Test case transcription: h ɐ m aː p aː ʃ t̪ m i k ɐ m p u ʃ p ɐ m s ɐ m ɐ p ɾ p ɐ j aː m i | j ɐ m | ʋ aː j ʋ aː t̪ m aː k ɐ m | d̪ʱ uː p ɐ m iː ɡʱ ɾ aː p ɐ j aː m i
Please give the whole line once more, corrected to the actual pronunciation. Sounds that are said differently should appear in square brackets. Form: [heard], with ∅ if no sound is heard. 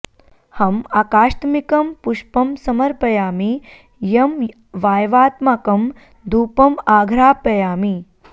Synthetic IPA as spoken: h ɐ m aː [k] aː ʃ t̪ m i k ɐ m p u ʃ p ɐ m s ɐ m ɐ [∅] ɾ p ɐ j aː m i | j ɐ m | ʋ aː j ʋ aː t̪ m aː k ɐ m | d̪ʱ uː p ɐ m [aː] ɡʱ ɾ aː p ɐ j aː m i